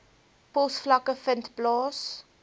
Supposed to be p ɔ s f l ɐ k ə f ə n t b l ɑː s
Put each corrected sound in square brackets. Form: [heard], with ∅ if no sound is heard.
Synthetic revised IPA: p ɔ s f l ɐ k ə f ə n t b l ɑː s